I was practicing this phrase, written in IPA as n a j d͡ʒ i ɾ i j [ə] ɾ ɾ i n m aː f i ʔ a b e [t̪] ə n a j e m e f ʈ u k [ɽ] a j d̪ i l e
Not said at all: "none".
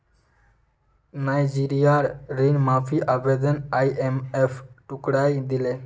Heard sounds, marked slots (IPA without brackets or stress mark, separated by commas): a, d̪, ɽ